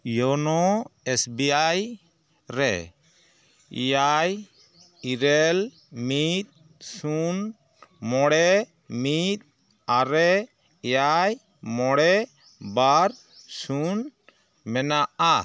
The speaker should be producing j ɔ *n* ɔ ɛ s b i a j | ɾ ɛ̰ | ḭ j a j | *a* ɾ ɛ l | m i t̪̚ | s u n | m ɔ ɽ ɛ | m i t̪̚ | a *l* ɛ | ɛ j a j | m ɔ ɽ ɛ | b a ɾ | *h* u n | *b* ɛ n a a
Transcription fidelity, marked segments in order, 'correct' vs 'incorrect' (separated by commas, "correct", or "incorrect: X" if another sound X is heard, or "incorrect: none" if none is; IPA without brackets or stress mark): correct, incorrect: i, incorrect: ɾ, incorrect: s, incorrect: m